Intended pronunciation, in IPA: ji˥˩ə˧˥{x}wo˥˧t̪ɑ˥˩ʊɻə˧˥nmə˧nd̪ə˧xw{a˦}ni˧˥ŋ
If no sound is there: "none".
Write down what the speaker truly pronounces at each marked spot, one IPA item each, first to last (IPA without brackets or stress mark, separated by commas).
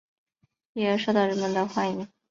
ʂ, a˥˩